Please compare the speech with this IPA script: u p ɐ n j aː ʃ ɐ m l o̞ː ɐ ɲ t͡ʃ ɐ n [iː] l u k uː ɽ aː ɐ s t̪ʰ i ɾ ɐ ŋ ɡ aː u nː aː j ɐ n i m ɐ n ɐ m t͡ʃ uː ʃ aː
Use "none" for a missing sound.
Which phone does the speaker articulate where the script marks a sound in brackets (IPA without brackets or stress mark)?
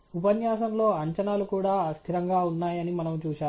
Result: aː